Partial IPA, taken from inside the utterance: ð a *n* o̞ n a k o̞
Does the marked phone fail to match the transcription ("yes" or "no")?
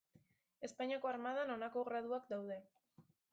no